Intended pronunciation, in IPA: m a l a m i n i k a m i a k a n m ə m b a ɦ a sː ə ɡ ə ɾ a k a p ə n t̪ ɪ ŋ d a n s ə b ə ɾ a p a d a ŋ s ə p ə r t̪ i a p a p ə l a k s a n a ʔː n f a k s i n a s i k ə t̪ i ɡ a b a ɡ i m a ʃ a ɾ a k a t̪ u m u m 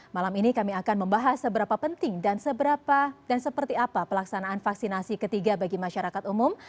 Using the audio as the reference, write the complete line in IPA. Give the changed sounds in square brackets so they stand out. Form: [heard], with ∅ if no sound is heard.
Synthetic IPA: m a l a m i n i k a m i a k a n m ə m b a ɦ a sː ə [b] ə ɾ a [p] a p ə n t̪ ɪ ŋ d a n s ə b ə ɾ a p a d a [n] s ə p ə r t̪ i a p a p ə l a k s a n a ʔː n f a k s i n a s i k ə t̪ i ɡ a b a ɡ i m a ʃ a ɾ a k a t̪ u m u m